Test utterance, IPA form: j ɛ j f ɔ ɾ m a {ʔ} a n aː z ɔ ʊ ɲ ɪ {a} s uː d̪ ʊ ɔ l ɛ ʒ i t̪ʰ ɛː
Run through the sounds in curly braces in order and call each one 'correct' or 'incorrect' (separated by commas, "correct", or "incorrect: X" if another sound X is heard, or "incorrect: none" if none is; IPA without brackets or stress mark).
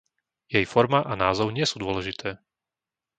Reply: correct, incorrect: ɛ